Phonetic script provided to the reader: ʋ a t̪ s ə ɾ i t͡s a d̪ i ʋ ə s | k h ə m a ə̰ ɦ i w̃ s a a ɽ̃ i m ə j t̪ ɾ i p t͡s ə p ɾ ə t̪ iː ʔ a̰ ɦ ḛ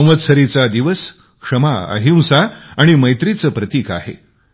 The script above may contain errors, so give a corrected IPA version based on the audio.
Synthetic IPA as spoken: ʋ ə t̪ s ə ɾ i t͡s a d̪ i ʋ ə s | k ʂ ə m a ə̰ ɦ i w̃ s a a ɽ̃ i m ə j t̪ ɾ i t͡s ə p ɾ ə t̪ iː k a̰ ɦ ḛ